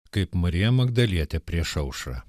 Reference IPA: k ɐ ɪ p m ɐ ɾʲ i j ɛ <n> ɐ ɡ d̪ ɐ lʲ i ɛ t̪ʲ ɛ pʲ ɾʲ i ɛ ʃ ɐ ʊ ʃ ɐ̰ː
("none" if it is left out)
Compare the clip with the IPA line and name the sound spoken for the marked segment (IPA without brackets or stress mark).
m